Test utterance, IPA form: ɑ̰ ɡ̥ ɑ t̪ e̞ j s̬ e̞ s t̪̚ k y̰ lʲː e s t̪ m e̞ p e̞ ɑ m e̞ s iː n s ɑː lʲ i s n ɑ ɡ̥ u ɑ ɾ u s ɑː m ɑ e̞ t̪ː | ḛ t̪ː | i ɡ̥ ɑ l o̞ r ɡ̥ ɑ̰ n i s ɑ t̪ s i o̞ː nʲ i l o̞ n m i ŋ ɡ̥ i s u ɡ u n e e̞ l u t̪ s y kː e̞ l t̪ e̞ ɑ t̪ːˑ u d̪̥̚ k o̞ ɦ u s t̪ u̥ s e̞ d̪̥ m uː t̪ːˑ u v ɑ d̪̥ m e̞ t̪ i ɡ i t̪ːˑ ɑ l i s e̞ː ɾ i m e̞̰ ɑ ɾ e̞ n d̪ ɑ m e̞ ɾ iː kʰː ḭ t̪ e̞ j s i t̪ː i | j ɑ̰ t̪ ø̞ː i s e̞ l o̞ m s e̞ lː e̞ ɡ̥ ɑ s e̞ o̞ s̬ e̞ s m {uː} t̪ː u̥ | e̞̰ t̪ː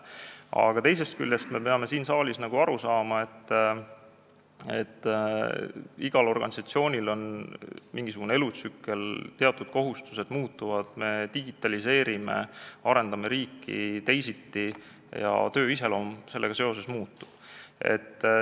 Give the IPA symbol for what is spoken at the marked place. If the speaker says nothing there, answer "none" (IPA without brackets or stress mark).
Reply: uː